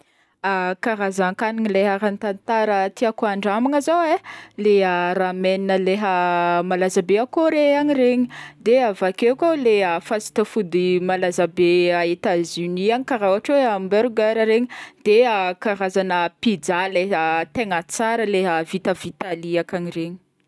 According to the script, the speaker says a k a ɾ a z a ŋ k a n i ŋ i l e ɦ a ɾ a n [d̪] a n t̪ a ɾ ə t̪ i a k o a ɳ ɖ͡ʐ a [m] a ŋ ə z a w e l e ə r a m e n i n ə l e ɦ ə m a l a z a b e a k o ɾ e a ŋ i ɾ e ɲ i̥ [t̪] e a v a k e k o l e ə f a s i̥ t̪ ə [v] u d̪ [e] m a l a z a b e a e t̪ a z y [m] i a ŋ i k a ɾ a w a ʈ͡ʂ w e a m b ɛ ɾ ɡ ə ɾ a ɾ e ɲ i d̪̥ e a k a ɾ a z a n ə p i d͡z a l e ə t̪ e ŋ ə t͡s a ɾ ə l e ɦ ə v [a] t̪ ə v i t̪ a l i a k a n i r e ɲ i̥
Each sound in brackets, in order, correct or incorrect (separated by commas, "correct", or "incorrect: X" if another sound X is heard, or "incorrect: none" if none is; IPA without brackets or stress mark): incorrect: t̪, correct, incorrect: d̪, incorrect: f, incorrect: i, incorrect: n, incorrect: i